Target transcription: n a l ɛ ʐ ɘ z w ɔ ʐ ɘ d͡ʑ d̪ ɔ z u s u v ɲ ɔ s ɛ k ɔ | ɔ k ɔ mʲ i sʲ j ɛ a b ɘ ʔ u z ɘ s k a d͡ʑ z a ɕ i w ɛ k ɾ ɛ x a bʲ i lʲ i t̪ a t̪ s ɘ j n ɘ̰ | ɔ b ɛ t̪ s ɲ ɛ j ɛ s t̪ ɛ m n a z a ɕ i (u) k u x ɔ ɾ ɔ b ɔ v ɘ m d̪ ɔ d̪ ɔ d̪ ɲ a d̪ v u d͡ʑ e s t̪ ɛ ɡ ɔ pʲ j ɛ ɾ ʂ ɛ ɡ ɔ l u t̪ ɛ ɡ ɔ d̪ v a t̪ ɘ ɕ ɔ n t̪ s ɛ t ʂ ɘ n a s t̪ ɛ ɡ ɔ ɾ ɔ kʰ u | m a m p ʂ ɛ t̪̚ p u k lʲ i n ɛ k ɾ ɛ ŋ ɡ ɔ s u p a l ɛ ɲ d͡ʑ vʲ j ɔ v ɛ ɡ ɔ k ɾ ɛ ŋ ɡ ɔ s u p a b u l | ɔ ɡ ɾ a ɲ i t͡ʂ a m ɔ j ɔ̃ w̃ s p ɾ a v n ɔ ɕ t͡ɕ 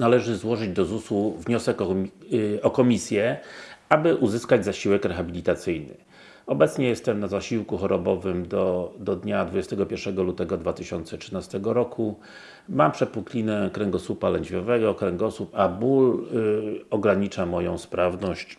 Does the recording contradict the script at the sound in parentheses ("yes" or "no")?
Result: yes